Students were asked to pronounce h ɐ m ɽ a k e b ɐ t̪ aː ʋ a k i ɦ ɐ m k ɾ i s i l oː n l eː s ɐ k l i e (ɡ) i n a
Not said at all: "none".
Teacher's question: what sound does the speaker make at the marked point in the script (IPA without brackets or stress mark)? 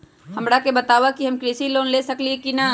k